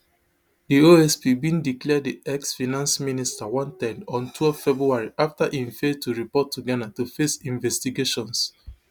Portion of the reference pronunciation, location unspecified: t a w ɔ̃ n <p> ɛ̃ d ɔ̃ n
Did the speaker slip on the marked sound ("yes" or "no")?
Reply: yes